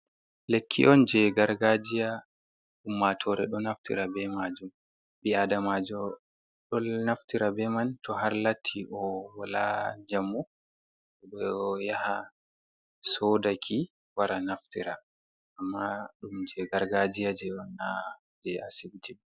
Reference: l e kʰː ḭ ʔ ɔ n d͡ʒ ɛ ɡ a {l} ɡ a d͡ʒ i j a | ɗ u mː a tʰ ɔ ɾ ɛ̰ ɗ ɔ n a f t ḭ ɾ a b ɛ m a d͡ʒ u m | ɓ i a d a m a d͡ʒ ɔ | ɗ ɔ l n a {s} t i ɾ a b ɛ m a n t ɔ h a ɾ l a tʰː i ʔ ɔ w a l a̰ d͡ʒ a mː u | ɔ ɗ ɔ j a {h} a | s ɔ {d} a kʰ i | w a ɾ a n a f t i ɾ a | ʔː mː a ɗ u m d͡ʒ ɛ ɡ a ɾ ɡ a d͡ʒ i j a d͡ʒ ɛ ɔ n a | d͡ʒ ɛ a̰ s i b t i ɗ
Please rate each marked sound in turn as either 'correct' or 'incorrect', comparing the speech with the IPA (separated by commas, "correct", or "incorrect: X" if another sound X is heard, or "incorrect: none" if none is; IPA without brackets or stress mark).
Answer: incorrect: ɾ, incorrect: f, correct, correct